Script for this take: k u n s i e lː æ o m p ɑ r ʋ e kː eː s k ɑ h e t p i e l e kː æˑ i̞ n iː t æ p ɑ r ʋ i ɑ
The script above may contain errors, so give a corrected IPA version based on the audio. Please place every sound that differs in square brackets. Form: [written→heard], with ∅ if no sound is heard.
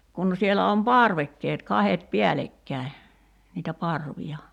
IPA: k u n s i e [lː→l] æ o m p ɑ r ʋ e kː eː [s→t] k ɑ h e t p i [e→æ] l e kː æˑ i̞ n iː t æ p ɑ r ʋ i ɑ